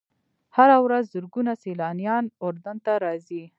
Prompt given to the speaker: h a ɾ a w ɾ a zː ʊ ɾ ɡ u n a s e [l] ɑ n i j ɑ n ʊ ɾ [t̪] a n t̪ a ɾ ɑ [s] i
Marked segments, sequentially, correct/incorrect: correct, incorrect: d̪, incorrect: z

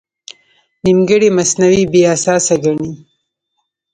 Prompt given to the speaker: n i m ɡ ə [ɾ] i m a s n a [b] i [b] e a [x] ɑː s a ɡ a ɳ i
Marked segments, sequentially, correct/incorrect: incorrect: ɽ, incorrect: w, correct, incorrect: s

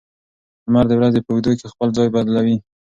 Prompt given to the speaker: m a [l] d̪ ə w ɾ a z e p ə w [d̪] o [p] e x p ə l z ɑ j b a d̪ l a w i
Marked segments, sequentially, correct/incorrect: incorrect: ɾ, correct, incorrect: k

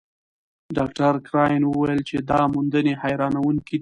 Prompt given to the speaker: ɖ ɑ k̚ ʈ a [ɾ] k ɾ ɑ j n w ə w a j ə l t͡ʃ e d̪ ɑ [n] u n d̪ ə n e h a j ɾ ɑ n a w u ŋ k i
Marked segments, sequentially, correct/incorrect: correct, incorrect: m

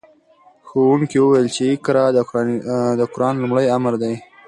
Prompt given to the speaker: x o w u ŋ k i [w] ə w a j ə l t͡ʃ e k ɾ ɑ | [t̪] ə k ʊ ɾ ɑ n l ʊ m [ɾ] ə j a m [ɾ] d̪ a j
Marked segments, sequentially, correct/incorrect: correct, incorrect: d̪, incorrect: ɽ, correct

